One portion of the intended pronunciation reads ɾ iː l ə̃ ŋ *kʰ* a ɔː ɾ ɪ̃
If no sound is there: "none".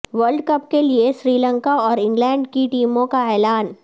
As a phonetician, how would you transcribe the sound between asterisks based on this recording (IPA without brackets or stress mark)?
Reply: k